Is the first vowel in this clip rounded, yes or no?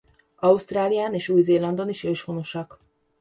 yes